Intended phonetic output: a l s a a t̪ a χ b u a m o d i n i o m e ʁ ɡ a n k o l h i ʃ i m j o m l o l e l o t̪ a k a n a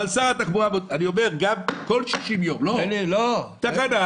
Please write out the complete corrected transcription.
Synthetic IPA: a l s a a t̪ a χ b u a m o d a n i o m e ʁ ɡ a m k o l ʃ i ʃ i m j o m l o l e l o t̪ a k a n a

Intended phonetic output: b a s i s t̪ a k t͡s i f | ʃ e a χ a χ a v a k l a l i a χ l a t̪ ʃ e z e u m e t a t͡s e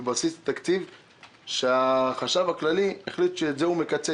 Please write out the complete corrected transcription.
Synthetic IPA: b a s i s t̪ a k t͡s i v | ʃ e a χ a ʃ a v a k l a l i e χ l i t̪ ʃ e z e u m e k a t͡s e

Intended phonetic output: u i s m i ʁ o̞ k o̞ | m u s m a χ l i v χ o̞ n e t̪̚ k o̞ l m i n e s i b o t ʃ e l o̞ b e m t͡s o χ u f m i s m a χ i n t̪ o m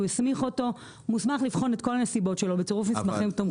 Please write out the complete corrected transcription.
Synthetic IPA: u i s m i χ o̞ t o̞ | m u s m a χ l i f χ o̞ n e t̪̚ k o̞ l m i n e s i b o t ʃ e l o̞ b e t͡s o ʁ u f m i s m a χ i m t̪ o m

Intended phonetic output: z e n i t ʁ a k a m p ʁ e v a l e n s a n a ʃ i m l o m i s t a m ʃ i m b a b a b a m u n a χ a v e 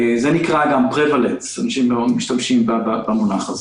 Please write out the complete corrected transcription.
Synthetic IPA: z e n i k ʁ a ɡ a m p ʁ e v a l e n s a n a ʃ i m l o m i ʃ t a m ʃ i m b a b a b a m u n a χ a z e

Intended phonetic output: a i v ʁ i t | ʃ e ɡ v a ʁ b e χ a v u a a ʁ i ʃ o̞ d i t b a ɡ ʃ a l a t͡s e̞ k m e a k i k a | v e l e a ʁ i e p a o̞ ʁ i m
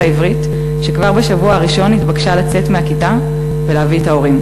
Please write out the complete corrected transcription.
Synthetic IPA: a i v ʁ i t | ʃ e k v a ʁ b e ʃ a v u a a ʁ i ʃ o̞ n i t b a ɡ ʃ a l a t͡s e̞ t m e a k i t a | v e l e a v i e t a o̞ ʁ i m

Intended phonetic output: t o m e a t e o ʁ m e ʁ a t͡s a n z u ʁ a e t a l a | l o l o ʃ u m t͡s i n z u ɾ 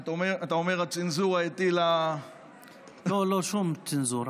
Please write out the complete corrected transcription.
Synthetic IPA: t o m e a t a o m e ʁ a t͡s i n z u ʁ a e t i l a | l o l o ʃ u m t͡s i n z u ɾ

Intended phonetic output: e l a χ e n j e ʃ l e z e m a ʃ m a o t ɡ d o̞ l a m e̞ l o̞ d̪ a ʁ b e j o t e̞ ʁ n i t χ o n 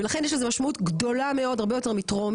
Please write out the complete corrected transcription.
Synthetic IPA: e l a χ e n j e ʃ l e z e m a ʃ m a u t ɡ d o̞ l a m e̞ o̞ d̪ a ʁ b e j o t e̞ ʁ m i t ʁ o m

